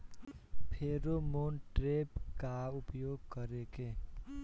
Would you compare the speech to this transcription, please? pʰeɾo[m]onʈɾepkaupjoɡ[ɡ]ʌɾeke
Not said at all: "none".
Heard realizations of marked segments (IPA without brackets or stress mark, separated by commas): m, k